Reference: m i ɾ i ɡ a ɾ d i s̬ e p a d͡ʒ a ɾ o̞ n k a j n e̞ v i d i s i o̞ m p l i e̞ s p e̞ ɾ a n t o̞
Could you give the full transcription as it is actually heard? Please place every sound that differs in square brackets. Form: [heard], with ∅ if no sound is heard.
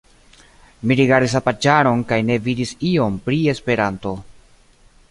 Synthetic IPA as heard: m i ɾ i ɡ a ɾ d i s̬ [a] p a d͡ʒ a ɾ o̞ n k a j n e̞ v i d i s i o̞ m p [ɾ] i e̞ s p e̞ ɾ a n t o̞